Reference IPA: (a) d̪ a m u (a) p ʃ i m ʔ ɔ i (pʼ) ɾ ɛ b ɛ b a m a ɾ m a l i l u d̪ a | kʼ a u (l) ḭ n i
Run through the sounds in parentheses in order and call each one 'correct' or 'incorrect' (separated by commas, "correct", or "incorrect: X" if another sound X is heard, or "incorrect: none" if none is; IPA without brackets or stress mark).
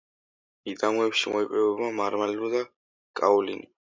incorrect: i, incorrect: ɛ, correct, correct